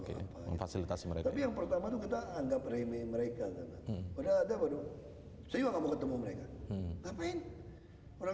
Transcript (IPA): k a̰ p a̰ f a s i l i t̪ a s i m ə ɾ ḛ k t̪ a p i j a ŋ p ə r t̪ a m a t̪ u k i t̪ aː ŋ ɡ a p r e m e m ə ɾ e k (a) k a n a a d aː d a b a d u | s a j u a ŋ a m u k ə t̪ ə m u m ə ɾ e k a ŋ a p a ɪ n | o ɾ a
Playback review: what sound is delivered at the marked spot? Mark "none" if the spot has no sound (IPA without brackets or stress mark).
a